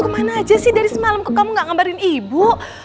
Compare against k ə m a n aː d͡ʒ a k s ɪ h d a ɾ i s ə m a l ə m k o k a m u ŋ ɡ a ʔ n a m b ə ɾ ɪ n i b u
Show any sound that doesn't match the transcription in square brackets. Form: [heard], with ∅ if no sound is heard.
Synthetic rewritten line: k ə m a n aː d͡ʒ a [∅] s ɪ h d a ɾ i s ə m a l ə m k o k a m u ŋ ɡ a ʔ [ŋ] a m b [a] ɾ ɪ n i b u